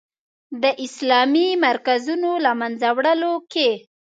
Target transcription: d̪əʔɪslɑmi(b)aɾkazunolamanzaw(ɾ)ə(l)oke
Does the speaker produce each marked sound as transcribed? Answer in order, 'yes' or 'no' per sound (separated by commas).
no, no, yes